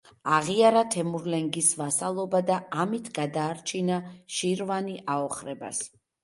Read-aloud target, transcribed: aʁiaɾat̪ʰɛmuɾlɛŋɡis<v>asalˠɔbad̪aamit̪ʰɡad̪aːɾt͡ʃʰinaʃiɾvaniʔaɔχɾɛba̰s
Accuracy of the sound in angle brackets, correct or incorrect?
correct